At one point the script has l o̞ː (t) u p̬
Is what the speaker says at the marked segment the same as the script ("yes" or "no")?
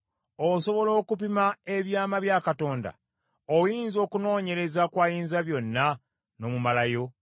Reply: no